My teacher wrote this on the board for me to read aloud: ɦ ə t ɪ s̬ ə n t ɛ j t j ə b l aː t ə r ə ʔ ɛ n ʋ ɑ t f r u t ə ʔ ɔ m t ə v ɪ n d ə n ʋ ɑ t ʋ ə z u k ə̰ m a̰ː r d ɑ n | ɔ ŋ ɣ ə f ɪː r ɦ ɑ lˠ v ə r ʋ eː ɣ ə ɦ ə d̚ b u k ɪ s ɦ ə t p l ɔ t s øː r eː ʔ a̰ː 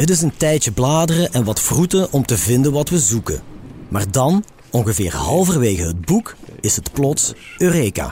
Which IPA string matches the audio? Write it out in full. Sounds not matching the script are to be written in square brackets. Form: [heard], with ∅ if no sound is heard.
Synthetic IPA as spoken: ɦ ə t ɪ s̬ ə n t ɛ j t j ə b l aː [d] ə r ə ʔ ɛ n ʋ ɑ t f r u t ə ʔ ɔ m t ə v ɪ n d ə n ʋ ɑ t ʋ ə z u k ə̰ m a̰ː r d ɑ n | ɔ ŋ ɣ ə [v] ɪː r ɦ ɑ lˠ v ə r ʋ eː ɣ ə ɦ ə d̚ b u k ɪ s ɦ ə t p l ɔ t s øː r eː [k] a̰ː